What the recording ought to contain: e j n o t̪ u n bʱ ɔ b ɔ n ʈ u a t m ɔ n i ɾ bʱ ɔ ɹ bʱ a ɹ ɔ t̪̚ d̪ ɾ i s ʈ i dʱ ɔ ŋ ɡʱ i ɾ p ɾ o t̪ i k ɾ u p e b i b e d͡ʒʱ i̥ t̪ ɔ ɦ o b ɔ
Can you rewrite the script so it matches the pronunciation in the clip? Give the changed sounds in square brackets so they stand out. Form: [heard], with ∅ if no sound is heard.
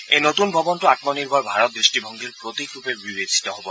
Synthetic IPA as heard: e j n o t̪ u n bʱ ɔ b ɔ n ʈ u a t m ɔ n i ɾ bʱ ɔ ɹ bʱ a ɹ ɔ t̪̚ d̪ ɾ i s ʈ i [bʱ] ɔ ŋ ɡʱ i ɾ p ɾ o t̪ i k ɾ u p e b i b e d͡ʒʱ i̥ t̪ ɔ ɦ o b ɔ